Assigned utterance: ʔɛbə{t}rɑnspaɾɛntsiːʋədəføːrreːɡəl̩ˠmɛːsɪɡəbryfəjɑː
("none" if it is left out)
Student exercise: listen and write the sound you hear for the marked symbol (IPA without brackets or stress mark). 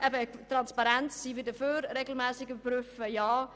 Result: t